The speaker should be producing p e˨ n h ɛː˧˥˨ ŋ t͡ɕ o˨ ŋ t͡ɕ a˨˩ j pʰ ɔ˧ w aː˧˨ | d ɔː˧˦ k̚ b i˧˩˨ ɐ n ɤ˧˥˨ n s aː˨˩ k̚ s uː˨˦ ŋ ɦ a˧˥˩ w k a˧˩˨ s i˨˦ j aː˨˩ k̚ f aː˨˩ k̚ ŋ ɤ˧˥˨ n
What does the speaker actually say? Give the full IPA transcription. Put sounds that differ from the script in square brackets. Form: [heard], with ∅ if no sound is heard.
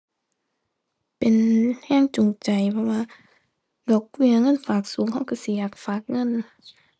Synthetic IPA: p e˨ n h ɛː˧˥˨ ŋ t͡ɕ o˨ ŋ t͡ɕ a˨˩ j pʰ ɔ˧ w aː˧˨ | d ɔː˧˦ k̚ [w] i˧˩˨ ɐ [ŋ] ɤ˧˥˨ n [f] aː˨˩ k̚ s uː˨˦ ŋ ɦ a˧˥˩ w k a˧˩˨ s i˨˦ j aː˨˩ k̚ f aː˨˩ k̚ ŋ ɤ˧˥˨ n

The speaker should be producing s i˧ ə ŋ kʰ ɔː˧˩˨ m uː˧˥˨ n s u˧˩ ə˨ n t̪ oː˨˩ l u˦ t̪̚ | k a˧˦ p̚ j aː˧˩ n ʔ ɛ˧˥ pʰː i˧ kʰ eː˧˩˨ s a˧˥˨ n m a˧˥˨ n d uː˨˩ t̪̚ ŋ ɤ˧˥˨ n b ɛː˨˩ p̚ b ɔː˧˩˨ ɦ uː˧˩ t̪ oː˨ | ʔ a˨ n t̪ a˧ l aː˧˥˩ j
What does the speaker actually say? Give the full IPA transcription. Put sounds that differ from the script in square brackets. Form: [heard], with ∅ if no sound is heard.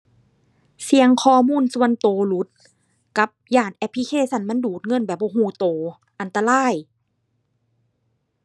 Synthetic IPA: s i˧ ə ŋ kʰ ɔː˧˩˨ m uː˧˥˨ n s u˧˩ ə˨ n t̪ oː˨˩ l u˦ t̪̚ | k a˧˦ p̚ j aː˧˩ n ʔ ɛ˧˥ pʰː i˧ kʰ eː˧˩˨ s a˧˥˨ n m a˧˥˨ n d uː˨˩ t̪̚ ŋ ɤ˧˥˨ n b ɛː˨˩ p̚ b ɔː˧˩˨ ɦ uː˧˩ t̪ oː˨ | ʔ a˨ n t̪ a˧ l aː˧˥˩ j

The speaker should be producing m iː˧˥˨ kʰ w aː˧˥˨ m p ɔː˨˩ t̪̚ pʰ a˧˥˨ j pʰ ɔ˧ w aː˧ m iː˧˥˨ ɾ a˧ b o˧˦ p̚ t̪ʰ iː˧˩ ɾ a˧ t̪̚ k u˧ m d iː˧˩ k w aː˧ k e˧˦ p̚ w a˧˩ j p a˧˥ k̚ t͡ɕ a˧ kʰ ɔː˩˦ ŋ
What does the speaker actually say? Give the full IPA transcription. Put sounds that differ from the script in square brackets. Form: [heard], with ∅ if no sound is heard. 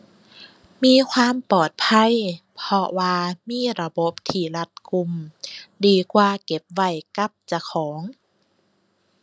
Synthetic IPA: m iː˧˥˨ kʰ w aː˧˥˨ m p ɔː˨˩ t̪̚ pʰ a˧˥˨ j pʰ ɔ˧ w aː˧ m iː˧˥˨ ɾ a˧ b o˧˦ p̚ t̪ʰ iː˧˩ [l] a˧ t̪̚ k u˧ m d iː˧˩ k w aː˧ k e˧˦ p̚ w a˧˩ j [k] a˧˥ [p̚] t͡ɕ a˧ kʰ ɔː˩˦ ŋ

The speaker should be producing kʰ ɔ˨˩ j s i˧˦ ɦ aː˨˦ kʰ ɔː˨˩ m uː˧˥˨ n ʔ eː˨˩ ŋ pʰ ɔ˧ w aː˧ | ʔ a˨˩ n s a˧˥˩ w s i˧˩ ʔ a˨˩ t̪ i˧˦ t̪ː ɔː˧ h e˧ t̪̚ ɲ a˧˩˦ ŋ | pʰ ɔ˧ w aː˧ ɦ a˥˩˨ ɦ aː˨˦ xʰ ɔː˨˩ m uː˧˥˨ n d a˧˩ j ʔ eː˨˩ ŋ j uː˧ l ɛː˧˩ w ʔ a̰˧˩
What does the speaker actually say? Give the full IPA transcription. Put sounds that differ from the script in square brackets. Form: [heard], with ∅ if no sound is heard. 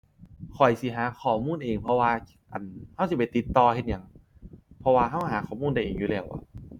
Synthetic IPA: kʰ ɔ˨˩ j s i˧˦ ɦ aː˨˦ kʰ ɔː˨˩ m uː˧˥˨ n ʔ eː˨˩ ŋ pʰ ɔ˧ w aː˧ | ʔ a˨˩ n [h] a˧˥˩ w s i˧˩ [p] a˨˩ t̪ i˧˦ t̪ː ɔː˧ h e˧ t̪̚ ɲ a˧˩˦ ŋ | pʰ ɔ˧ w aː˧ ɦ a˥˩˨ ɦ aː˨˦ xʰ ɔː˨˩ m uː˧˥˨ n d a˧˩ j ʔ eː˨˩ ŋ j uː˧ l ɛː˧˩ w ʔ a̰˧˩

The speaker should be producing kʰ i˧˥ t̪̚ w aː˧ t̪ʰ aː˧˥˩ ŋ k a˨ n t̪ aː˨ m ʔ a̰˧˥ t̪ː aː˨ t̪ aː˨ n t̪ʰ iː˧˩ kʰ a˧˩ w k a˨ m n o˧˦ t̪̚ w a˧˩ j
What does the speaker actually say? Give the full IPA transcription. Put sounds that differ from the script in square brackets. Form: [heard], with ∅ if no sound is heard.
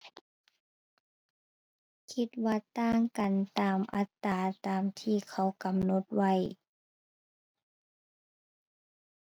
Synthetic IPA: kʰ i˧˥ t̪̚ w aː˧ [t̪] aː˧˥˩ ŋ k a˨ n t̪ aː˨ m ʔ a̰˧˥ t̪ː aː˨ t̪ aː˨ [m] t̪ʰ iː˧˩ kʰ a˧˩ w k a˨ m n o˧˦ t̪̚ w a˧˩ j

